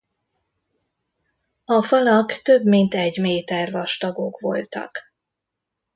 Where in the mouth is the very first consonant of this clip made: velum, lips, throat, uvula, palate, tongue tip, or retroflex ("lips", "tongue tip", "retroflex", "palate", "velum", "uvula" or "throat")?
lips